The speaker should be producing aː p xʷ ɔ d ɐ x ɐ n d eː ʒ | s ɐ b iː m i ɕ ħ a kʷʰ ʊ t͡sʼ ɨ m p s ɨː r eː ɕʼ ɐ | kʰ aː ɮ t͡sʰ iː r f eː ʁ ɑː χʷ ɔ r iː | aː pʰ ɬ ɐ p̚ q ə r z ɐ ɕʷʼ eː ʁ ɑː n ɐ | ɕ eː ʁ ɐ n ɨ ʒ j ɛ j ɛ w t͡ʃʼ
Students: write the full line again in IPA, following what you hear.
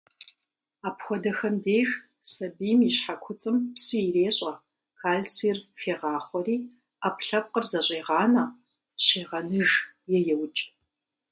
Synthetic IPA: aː p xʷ ɔ d ɐ x ɐ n d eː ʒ | s ɐ b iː m i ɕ ħ a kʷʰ ʊ t͡sʼ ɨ m p s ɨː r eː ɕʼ ɐ | kʰ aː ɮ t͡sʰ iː r f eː ʁ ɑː χʷ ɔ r iː | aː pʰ ɬ ɐ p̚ q ə r z ɐ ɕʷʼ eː ʁ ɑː n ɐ | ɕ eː ʁ ɐ n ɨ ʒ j ɛ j ɛ w t͡ʃʼ

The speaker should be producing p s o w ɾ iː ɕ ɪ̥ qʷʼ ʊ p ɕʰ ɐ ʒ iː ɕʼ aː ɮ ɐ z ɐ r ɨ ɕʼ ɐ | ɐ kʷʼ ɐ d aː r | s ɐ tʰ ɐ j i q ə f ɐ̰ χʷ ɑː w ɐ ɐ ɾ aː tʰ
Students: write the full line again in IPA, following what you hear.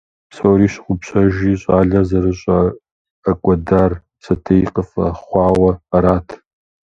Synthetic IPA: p s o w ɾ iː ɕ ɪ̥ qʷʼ ʊ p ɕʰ ɐ ʒ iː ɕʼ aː ɮ ɐ z ɐ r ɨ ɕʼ ɐ | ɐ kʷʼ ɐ d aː r | s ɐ tʰ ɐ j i q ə f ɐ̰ χʷ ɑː w ɐ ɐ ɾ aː tʰ

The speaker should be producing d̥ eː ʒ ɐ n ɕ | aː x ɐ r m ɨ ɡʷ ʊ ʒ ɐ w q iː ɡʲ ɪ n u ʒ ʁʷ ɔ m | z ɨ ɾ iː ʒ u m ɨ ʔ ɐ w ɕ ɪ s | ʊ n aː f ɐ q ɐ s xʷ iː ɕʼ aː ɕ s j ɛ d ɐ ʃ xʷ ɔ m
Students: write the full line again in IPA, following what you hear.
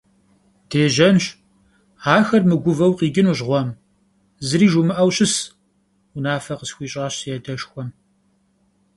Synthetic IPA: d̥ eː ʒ ɐ n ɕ | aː x ɐ r m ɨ ɡʷ ʊ v ɐ w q iː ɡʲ ɪ n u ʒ ʁʷ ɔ m | z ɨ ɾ iː ʒ u m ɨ ʔ ɐ w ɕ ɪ s | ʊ n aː f ɐ q ə s xʷ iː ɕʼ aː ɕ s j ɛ d ɐ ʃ xʷ ɔ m

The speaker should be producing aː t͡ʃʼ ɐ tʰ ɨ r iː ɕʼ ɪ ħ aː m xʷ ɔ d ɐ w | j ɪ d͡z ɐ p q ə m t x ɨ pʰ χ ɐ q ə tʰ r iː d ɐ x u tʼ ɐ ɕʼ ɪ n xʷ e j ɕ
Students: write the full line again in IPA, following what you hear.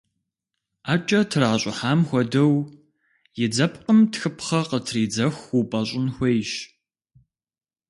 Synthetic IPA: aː t͡ʃʼ ɐ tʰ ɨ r aː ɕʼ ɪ ħ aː m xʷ ɔ d ɐ w | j ɪ d͡z ɐ p q ə m t x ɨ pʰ χ ɐ q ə tʰ r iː d͡z ɐ x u pʼ ɐ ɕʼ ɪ n xʷ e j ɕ

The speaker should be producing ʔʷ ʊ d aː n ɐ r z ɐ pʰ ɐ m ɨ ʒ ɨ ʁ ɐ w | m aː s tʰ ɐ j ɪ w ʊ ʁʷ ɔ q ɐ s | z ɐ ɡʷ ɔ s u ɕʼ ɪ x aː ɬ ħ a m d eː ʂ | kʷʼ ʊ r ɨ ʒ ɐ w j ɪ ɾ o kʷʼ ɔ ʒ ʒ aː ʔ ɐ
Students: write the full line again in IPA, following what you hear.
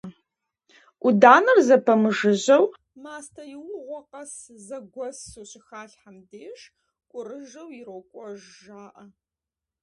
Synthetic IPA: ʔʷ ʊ d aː n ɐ r z ɐ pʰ ɐ m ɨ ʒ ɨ ʑ ɐ w | m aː s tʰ ɐ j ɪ w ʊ ʁʷ ɔ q ɐ s | z ɐ ɡʷ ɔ s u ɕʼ ɪ x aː ɬ ħ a m d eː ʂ | kʷʼ ʊ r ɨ ʒ ɐ w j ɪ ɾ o kʷʼ ɔ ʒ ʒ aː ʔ ɐ

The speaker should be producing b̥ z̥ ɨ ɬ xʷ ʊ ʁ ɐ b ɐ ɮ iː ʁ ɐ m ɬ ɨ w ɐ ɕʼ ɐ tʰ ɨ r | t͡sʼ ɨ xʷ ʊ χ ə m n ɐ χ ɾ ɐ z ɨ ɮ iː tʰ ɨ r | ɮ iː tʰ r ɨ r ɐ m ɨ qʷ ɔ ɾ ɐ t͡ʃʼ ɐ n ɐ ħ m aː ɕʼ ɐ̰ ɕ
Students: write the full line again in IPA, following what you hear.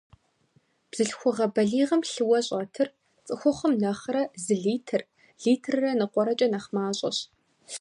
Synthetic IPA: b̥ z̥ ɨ ɬ xʷ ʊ ʁ ɐ b ɐ ɮ iː ʁ ɐ m ɬ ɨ w ɐ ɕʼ ɐ tʰ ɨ r | t͡sʼ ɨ xʷ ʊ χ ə m n ɐ χ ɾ ɐ z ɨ ɮ iː tʰ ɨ r | ɮ iː tʰ r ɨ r ɐ n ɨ qʷ ɔ ɾ ɐ t͡ʃʼ ɐ n ɐ χ m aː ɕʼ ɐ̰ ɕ

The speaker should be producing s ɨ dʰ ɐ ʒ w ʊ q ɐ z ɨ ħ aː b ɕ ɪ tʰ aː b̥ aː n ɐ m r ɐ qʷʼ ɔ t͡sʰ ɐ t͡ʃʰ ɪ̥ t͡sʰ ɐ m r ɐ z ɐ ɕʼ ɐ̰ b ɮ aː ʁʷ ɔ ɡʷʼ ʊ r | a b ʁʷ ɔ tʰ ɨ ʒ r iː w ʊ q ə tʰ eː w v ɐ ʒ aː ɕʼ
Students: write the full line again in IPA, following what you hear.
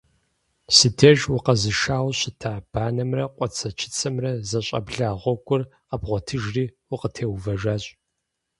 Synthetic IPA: s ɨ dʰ ɐ ʒ w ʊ q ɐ z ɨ ʃ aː w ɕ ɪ tʰ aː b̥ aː n ɐ m r ɐ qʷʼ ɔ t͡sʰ ɐ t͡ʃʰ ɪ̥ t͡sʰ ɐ m r ɐ z ɐ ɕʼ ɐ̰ b ɮ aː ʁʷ ɔ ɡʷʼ ʊ r | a b ʁʷ ɔ tʰ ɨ ʒ r iː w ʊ q ə tʰ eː w v ɐ ʒ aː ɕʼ

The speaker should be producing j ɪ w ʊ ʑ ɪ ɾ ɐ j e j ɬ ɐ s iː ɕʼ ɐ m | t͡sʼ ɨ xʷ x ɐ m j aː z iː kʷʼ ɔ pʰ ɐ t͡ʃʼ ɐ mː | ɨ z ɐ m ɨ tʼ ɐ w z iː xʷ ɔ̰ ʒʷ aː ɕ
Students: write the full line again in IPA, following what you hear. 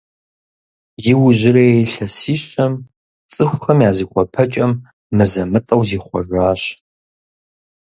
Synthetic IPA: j ɪ w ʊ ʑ ɪ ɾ ɐ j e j ɬ ɐ s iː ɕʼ ɐ m | t͡sʼ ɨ xʷ x ɐ m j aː z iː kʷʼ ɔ pʰ ɐ t͡ʃʼ ɐ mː | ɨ z ɐ m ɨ tʼ ɐ w z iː χʷ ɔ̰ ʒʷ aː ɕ

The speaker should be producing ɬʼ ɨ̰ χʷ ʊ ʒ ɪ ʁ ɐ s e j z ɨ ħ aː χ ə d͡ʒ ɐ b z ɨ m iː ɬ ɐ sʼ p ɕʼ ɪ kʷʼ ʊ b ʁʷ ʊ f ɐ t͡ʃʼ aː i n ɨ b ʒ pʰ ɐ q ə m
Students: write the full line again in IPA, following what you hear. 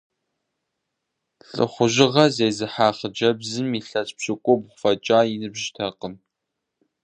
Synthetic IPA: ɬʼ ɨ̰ χʷ ʊ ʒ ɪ ʁ ɐ z e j z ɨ ħ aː χ ə d͡ʒ ɐ b z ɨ m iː ɬ ɐ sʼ p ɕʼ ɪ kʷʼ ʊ b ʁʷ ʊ f ɐ t͡ʃʼ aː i n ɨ b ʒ tʰ ɐ q ə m

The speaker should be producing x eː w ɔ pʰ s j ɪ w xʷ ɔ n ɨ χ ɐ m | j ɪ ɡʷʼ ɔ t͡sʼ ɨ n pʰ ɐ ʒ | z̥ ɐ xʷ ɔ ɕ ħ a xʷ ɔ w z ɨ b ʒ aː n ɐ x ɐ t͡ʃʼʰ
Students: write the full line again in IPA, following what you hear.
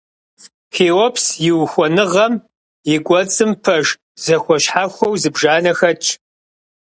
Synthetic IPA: x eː w ɔ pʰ s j ɪ w xʷ ɔ n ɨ ʁ ɐ m | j ɪ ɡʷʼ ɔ t͡sʼ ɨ m pʰ ɐ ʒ | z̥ ɐ xʷ ɔ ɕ ħ a xʷ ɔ w z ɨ b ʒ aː n ɐ x ɐ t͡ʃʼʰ

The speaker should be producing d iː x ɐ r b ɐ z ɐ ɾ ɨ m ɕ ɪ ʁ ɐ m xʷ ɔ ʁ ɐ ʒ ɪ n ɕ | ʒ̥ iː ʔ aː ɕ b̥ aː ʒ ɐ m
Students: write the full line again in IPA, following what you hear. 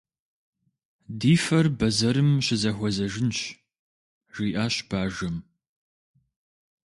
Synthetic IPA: d iː f ɐ r b ɐ z ɐ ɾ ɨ m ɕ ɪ z ɐ xʷ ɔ z ɐ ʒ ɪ n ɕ | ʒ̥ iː ʔ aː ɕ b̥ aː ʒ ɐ m

